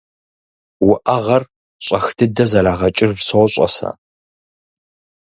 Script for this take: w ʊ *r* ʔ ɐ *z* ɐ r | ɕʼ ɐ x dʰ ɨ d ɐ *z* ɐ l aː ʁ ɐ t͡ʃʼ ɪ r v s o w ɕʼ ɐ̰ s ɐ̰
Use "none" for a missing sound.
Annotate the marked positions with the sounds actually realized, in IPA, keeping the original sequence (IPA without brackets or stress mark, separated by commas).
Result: none, ʁ, z